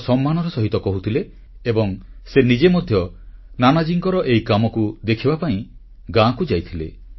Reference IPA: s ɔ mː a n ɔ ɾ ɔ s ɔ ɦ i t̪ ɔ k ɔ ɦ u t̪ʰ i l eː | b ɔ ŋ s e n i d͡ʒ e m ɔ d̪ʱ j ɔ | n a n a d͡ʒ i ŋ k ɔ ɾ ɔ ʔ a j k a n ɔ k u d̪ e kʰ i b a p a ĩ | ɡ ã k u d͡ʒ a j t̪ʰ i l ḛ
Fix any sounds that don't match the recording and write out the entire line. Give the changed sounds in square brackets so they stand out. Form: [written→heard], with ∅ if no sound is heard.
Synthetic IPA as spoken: s ɔ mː a n ɔ ɾ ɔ s ɔ ɦ i t̪ ɔ k ɔ ɦ u t̪ʰ i l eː | b ɔ ŋ s e n i d͡ʒ e m ɔ d̪ʱ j ɔ | n a n a d͡ʒ i ŋ k ɔ ɾ ɔ ʔ [a→e] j k a [n→m] ɔ k u d̪ e kʰ i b a p a ĩ | ɡ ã k u d͡ʒ a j t̪ʰ i l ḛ